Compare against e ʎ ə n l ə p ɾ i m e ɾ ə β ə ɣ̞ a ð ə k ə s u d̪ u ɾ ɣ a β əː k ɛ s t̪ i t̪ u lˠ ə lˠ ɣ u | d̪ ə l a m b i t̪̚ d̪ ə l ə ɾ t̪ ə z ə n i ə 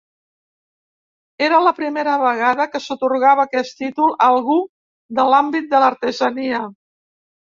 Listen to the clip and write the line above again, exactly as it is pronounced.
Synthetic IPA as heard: e ɾ ə l ə p ɾ i m e ɾ ə β ə ɣ̞ a ð ə k ə s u t̪ u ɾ ɣ a β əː k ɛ s t̪ i t̪ u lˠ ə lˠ ɣ u | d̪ ə l a m b i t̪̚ d̪ ə l ə ɾ t̪ ə z ə n i ə

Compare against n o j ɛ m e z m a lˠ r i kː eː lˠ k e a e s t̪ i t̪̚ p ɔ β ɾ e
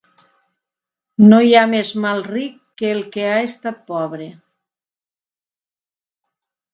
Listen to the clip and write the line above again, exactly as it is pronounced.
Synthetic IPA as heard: n o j a m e z m a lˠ r i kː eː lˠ k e a e s t̪ a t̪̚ p ɔ β ɾ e

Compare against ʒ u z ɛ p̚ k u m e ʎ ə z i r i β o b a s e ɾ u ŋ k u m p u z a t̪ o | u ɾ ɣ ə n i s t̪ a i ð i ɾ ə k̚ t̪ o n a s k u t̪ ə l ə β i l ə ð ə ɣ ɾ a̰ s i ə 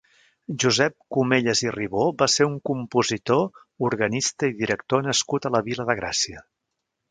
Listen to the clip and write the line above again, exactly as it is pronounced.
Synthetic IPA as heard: ʒ u z ɛ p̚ k u m e ʎ ə z i r i β o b a s e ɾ u ŋ k u m p u z i t̪ o | u ɾ ɣ ə n i s t̪ ə i ð i ɾ ə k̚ t̪ o n ə s k u t̪ ə l ə β i l ə ð ə ɣ ɾ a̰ s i ə

